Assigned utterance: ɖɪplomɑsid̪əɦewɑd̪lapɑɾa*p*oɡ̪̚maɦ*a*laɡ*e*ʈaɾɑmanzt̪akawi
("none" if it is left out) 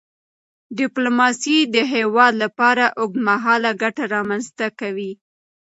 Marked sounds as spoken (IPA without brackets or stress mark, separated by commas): ʔ, ɑ, a